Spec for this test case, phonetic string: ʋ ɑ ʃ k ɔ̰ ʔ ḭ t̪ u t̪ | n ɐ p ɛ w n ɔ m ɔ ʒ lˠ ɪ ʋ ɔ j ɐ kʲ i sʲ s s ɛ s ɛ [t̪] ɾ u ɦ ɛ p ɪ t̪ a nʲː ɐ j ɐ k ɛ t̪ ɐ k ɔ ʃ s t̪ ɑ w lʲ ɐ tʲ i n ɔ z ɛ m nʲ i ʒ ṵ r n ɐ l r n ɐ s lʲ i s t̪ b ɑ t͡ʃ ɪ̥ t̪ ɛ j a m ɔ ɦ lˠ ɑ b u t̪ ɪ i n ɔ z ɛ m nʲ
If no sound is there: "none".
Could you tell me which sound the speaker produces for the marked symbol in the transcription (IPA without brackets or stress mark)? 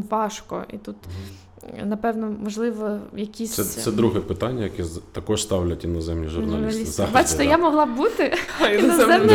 d̪